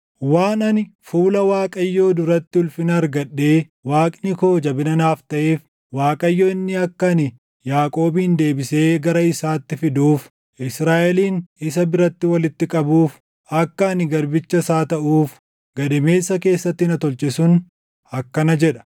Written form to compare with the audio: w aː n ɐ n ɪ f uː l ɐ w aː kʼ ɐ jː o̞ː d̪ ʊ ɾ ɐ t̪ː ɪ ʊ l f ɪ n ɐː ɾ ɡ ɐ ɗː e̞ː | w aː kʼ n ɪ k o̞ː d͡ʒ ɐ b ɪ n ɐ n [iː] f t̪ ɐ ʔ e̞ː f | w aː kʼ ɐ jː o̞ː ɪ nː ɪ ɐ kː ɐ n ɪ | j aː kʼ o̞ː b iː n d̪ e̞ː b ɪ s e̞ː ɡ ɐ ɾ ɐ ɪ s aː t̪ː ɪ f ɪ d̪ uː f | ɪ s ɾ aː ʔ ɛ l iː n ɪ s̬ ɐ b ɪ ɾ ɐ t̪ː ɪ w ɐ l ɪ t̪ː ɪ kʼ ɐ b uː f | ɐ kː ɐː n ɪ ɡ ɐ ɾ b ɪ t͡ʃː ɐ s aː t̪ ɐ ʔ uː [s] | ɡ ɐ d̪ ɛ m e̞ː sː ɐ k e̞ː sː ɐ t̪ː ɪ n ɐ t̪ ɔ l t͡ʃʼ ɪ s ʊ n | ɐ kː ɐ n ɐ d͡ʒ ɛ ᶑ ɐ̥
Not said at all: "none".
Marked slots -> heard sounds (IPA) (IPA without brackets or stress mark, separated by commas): aː, f